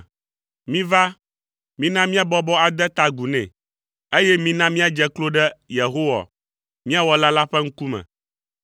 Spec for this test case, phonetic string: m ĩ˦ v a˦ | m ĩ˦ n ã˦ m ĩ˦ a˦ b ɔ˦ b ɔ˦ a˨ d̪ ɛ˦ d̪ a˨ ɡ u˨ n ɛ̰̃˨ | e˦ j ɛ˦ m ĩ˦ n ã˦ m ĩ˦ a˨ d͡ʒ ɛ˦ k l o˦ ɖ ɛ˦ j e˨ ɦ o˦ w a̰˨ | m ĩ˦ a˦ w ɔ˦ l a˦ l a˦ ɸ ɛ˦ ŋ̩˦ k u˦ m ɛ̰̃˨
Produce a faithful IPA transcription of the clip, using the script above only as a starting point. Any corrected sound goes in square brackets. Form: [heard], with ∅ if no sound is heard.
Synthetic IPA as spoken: m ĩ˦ v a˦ | m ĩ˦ n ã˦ m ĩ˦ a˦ b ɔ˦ b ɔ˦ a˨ d̪ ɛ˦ [t̪] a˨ ɡ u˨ n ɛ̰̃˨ | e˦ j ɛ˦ m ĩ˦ n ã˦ m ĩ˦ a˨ d͡ʒ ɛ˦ k l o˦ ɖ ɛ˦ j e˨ ɦ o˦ w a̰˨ | m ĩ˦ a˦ w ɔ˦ l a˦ l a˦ ɸ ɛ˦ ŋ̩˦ k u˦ m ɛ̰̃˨

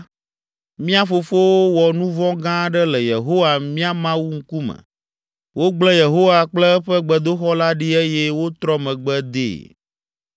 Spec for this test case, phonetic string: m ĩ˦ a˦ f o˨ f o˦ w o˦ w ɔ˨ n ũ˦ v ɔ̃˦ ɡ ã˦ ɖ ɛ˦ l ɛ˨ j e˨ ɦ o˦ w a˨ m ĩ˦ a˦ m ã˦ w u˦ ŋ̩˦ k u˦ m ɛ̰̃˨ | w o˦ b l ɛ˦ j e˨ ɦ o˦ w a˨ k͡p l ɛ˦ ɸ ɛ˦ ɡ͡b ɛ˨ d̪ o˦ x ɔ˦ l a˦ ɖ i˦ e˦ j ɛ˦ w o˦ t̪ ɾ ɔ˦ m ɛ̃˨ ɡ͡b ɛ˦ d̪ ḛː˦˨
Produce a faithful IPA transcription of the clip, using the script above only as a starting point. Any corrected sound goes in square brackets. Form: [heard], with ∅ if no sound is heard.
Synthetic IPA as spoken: m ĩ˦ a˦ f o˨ f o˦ w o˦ w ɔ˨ n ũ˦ v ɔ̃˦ ɡ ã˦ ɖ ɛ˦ l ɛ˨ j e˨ ɦ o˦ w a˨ m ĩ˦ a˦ m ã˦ w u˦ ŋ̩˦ k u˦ m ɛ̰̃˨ | w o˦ [ɡ͡b] l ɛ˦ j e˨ ɦ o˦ w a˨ k͡p l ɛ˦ ɸ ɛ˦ ɡ͡b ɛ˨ d̪ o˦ x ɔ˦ l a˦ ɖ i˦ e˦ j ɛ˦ w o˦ t̪ ɾ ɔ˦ m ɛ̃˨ ɡ͡b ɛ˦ d̪ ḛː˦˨

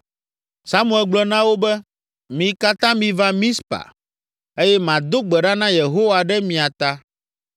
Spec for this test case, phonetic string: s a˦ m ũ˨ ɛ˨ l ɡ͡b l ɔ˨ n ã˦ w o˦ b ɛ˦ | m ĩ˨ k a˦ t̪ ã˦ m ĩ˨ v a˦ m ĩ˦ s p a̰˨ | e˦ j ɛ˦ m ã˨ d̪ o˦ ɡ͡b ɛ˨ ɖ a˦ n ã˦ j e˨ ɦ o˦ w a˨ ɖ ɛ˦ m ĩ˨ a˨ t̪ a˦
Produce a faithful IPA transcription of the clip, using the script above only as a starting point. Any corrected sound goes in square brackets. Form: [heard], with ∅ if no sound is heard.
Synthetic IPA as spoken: s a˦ m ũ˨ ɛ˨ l ɡ͡b l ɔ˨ n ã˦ w o˦ b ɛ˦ | m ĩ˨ k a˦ t̪ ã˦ m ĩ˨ v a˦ m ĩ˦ s p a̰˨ | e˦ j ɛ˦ m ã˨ d̪ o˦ ɡ͡b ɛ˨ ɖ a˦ n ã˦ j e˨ ɦ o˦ w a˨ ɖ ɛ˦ m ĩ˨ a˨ t̪ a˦

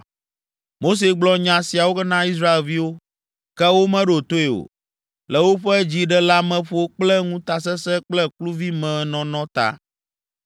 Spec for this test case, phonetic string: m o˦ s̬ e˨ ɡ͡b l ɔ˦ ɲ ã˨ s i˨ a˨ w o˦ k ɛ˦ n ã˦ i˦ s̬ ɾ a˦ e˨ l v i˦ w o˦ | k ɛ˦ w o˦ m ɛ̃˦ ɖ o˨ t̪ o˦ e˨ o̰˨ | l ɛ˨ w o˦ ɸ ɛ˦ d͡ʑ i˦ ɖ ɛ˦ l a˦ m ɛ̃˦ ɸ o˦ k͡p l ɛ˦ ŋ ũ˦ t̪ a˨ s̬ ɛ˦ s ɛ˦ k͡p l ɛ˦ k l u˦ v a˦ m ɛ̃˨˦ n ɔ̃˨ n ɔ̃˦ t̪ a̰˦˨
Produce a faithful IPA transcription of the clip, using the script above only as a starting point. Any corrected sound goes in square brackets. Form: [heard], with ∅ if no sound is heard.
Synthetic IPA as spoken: m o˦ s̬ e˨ ɡ͡b l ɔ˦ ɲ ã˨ s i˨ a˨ w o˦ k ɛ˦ n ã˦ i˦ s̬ ɾ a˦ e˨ l v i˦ w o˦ | k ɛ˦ w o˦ m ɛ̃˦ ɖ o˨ t̪ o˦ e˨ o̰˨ | l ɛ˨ w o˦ ɸ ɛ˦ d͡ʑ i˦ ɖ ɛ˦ l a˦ m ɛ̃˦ ɸ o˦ k͡p l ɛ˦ ŋ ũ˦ t̪ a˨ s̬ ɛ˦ s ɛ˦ k͡p l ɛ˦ k l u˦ v [i˦] m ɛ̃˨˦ n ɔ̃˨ n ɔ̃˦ t̪ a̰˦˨

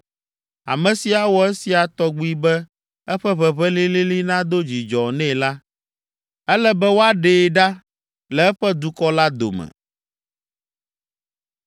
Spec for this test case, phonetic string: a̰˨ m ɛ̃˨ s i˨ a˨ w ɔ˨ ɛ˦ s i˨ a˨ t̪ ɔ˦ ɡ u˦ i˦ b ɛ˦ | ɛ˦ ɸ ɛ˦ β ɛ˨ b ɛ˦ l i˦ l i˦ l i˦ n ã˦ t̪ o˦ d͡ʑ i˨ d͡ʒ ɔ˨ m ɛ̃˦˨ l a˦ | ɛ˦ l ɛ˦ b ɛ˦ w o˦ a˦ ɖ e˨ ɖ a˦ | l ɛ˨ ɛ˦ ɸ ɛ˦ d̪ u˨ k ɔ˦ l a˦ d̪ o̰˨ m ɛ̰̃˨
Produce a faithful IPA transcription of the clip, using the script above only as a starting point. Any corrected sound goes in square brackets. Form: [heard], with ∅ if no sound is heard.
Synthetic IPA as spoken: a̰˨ m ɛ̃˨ s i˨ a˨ w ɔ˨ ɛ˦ s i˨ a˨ t̪ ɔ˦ [ɡ͡b] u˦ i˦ b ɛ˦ | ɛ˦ ɸ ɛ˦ β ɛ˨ [β] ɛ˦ l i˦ l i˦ l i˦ n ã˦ [d̪] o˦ d͡ʑ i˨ d͡ʒ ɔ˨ [n] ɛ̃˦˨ l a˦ | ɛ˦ l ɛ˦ b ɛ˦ w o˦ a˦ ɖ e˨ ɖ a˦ | l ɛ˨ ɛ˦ ɸ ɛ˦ d̪ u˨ k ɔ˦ l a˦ d̪ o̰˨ m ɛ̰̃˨

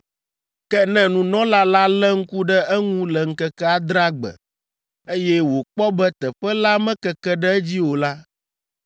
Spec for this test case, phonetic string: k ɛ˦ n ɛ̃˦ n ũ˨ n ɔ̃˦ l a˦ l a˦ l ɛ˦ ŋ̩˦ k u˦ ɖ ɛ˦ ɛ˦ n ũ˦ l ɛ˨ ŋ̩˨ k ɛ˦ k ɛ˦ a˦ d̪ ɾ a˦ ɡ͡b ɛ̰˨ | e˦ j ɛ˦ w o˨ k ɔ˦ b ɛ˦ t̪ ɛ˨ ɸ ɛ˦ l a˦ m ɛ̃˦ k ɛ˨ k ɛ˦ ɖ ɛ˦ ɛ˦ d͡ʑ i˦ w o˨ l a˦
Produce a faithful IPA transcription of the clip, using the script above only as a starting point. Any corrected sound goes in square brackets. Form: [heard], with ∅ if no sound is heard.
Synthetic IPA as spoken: k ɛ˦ n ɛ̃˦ n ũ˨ n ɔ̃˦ l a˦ l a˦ l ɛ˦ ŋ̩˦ k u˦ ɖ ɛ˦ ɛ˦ [ŋ] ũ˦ l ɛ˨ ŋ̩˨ k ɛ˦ k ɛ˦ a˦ d̪ ɾ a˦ ɡ͡b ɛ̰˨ | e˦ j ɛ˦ w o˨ [k͡p] ɔ˦ b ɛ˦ t̪ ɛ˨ ɸ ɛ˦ l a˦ m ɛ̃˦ k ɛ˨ k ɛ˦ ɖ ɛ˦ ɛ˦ d͡ʑ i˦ w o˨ l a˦

